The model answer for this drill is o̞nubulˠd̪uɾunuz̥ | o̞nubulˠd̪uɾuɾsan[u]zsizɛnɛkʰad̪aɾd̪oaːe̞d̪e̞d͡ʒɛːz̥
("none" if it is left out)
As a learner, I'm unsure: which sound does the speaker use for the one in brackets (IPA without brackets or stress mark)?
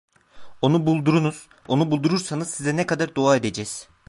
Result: ɯ